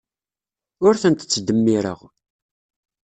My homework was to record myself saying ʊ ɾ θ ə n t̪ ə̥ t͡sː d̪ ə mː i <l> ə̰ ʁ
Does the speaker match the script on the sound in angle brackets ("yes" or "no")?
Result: no